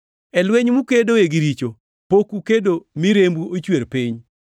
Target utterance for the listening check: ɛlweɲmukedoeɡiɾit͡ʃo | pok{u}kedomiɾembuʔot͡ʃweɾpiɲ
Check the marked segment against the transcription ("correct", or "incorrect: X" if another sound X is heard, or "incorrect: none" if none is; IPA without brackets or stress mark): correct